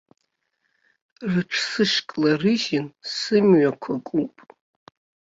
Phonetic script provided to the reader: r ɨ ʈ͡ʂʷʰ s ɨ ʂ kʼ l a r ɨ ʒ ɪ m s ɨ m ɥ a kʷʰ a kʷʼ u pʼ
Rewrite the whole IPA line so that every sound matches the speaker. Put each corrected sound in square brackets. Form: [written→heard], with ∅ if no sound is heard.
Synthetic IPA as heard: r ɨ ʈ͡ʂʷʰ s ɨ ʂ kʼ l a r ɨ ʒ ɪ [m→n] s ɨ m ɥ a kʷʰ a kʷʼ u pʼ